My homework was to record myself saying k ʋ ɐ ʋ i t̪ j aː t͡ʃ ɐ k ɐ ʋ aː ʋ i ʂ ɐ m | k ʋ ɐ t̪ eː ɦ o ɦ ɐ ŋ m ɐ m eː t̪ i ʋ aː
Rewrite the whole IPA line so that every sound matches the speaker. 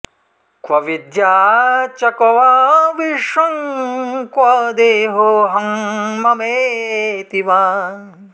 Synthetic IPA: k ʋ ɐ ʋ i d̪ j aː t͡ʃ ɐ k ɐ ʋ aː ʋ i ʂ ɐ ŋ | k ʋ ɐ d̪ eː ɦ o ɦ ɐ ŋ m ɐ m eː t̪ i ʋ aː